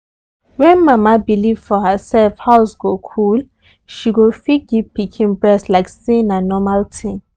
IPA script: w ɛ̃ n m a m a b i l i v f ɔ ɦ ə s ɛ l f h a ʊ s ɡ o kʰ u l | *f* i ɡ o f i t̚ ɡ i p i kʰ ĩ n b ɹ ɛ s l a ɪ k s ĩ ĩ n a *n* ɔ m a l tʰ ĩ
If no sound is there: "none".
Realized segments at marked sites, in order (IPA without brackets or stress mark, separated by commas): ʃ, n